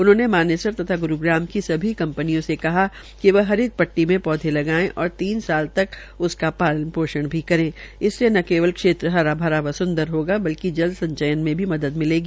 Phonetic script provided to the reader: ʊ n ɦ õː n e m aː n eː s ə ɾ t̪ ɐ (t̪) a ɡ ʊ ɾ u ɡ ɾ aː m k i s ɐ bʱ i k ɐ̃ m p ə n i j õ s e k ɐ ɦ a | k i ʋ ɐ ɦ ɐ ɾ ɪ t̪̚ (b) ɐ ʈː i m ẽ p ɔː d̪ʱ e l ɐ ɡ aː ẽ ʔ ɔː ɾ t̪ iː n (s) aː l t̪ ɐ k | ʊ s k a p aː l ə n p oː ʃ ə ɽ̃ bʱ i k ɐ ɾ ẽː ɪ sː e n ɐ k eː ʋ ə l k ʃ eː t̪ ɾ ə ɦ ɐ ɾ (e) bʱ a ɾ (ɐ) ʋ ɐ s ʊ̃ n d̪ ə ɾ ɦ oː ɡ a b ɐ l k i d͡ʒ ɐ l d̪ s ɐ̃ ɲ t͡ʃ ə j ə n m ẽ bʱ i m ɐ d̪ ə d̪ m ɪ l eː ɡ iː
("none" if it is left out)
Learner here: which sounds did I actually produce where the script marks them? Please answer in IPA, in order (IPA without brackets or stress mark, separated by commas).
t̪ʰ, p, s, a, a